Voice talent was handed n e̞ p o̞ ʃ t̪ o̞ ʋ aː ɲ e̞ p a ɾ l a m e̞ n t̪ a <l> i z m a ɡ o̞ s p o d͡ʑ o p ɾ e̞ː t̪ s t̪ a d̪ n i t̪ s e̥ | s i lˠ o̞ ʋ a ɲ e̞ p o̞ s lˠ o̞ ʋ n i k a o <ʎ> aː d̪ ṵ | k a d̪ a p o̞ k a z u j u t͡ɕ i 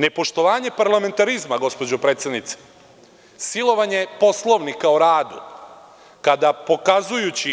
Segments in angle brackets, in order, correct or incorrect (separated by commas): incorrect, incorrect